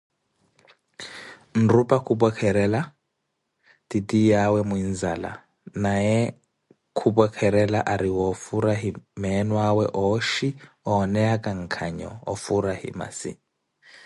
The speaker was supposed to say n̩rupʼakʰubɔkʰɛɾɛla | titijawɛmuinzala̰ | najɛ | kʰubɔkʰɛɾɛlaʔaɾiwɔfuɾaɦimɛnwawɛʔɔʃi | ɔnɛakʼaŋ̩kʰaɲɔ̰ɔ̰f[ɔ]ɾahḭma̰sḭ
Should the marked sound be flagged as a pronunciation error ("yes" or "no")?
yes